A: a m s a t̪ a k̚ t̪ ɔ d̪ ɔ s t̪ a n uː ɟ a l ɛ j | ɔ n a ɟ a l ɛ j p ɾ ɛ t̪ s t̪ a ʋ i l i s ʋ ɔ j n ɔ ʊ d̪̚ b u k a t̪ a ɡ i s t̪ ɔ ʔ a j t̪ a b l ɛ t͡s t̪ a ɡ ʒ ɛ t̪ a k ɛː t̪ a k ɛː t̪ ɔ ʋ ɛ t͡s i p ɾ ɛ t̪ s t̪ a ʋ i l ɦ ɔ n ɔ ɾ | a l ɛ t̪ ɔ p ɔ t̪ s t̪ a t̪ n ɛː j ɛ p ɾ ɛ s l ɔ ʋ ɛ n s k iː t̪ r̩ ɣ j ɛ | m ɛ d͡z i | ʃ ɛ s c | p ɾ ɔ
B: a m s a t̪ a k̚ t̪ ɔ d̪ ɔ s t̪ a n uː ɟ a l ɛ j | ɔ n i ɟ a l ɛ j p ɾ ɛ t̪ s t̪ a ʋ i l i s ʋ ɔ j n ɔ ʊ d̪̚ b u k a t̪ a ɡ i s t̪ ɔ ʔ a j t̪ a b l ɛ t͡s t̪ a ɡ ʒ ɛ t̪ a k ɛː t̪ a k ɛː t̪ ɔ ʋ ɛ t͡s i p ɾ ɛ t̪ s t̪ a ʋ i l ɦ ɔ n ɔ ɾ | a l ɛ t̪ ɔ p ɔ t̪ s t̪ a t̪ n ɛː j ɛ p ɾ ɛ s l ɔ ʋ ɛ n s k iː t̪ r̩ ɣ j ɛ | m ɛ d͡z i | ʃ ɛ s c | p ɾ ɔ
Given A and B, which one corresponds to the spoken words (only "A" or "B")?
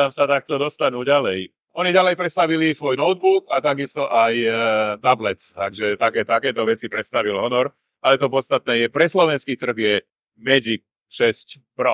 B